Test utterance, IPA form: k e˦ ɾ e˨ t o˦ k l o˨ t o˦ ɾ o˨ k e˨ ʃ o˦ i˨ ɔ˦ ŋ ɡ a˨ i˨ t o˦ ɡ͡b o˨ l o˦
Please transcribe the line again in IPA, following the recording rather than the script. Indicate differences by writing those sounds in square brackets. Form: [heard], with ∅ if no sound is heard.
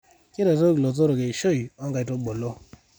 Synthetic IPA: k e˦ ɾ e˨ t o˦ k l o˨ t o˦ ɾ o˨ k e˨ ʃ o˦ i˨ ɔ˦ ŋ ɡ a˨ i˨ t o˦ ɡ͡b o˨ l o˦